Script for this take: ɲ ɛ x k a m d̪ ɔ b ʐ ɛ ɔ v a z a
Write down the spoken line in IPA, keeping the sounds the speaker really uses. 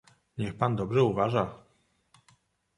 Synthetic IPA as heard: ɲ ɛ x p a n d̪ ɔ b ʐ ɛ u v a ʐ a